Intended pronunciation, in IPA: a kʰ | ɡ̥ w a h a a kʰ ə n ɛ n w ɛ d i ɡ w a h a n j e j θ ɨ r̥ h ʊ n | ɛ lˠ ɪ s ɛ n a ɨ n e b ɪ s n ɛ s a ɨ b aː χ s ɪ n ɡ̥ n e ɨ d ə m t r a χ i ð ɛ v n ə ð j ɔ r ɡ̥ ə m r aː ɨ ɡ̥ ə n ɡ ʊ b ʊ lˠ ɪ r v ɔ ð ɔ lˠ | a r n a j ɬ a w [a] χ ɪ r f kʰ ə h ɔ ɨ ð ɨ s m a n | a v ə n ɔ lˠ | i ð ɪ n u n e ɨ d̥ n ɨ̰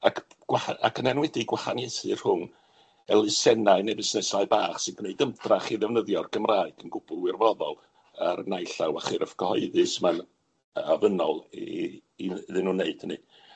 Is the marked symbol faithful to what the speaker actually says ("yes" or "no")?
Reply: yes